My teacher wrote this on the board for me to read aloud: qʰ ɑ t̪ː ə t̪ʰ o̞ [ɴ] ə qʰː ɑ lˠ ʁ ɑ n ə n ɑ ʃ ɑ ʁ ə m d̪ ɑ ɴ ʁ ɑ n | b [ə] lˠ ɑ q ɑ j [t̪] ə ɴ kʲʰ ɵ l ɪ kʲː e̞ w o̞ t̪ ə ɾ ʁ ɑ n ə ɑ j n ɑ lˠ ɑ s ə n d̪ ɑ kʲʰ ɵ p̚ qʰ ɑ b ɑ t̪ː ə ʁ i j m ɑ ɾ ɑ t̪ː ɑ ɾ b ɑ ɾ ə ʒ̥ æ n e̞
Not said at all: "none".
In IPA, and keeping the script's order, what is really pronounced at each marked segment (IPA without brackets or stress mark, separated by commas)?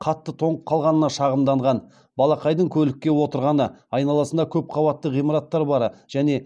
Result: ɴ, ɑ, d̪